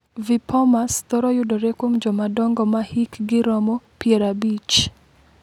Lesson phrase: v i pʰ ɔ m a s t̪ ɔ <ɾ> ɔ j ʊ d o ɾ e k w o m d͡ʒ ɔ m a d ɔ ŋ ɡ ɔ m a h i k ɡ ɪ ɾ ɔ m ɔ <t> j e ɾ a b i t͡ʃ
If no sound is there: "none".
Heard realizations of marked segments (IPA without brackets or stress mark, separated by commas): ɾ, p